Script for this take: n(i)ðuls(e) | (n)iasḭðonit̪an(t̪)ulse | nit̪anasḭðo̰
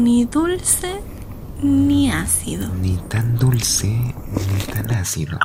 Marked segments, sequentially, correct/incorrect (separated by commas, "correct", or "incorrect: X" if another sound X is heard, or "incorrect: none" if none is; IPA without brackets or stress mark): correct, correct, correct, incorrect: d̪